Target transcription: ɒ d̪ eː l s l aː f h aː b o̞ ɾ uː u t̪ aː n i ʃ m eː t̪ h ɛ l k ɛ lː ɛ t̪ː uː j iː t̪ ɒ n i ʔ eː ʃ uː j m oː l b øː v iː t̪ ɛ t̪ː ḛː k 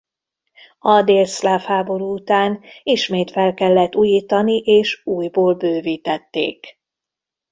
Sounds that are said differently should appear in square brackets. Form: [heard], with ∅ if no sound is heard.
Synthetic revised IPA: ɒ d̪ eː l s l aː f h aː b o̞ ɾ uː u t̪ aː n i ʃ m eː t̪ [f] ɛ l k ɛ lː ɛ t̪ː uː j iː t̪ ɒ n i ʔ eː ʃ uː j [b] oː l b øː v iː t̪ ɛ t̪ː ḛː k